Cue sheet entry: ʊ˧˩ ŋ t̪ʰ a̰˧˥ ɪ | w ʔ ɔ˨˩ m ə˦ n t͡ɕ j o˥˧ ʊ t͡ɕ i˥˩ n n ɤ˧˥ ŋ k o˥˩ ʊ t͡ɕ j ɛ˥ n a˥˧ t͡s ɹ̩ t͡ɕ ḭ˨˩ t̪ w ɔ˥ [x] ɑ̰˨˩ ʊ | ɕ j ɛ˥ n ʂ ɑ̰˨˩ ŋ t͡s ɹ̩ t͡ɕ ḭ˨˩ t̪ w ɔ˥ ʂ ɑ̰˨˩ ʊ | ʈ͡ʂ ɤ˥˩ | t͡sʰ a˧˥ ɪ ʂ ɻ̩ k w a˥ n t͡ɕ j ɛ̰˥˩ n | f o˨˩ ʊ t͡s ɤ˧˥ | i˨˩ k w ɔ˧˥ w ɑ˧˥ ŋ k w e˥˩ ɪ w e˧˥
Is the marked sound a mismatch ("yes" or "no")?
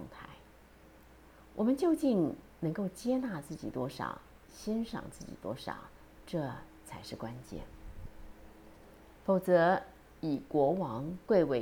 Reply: yes